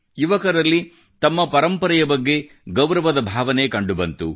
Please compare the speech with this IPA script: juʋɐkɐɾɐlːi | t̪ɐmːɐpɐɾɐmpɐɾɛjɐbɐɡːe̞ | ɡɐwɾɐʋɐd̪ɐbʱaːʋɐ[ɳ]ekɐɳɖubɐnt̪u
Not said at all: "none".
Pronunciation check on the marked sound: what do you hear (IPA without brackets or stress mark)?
n